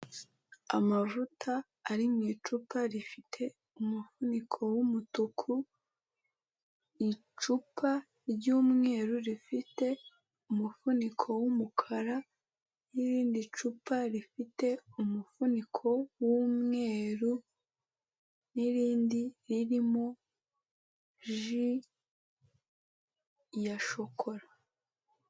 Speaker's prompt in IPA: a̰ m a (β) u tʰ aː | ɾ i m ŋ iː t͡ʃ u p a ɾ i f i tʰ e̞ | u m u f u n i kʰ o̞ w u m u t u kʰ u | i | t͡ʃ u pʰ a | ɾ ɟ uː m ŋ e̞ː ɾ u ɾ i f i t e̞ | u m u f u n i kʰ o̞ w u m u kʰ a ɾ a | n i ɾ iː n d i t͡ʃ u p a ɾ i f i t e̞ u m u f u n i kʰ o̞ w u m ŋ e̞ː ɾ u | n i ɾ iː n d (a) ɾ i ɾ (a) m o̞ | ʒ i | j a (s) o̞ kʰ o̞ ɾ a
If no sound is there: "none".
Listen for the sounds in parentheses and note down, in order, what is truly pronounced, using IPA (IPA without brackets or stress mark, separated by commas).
v, i, i, ʃ